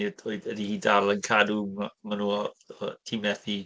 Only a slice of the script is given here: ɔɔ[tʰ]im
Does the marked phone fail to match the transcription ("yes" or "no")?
no